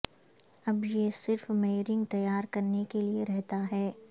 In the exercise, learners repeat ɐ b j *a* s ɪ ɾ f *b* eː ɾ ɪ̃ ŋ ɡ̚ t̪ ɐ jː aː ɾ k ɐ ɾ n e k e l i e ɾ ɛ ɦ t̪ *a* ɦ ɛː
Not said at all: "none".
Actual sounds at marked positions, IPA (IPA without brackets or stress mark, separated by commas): e, m, a